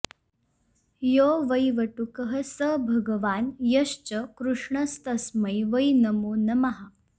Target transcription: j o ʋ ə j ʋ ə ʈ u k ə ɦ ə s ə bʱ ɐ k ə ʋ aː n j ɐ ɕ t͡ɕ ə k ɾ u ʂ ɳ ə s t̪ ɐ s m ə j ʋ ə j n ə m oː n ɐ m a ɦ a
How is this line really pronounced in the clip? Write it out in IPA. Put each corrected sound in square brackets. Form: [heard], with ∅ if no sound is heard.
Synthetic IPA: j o ʋ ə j ʋ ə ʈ u k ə ɦ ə s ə bʱ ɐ [ɡ] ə ʋ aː n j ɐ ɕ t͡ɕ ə k ɾ u ʂ ɳ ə s t̪ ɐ s m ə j ʋ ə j n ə m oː n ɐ m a ɦ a